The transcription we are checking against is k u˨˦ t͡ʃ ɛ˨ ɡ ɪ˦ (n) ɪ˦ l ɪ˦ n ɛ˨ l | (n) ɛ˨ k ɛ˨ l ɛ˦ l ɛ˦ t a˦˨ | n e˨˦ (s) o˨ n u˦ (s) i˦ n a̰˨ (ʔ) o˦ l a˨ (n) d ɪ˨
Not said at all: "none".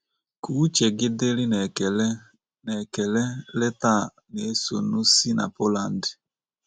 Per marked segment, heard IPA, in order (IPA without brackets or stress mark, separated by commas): d, n, s, s, p, n